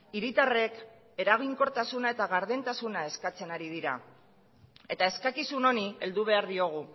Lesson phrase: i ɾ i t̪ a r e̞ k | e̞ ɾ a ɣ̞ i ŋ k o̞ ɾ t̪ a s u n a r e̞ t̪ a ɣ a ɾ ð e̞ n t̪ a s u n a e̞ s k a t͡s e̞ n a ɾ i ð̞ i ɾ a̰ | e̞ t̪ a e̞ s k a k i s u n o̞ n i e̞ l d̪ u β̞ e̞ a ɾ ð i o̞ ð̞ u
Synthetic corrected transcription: i ɾ i t̪ a r e̞ k | e̞ ɾ a ɣ̞ i ŋ k o̞ ɾ t̪ a s u n a e̞ t̪ a ɣ a ɾ ð e̞ n t̪ a s u n a e̞ s k a t͡s e̞ n a ɾ i ð̞ i ɾ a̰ | e̞ t̪ a e̞ s k a k i s u n o̞ n i e̞ l d̪ u β̞ e̞ a ɾ ð i o̞ ɣ̞ u